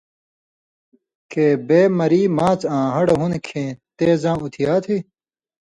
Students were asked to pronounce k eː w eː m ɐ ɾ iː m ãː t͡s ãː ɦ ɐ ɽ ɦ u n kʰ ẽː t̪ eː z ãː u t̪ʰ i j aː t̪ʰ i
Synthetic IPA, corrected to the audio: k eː b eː m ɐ ɾ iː m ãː t͡s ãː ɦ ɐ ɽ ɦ u n kʰ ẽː t̪ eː z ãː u t̪ʰ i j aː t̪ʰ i